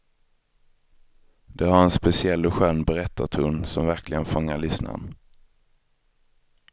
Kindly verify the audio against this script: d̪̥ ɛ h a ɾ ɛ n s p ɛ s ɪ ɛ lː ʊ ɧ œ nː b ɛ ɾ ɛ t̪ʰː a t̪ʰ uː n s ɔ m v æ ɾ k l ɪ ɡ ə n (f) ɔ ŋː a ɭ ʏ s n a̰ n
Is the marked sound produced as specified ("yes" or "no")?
yes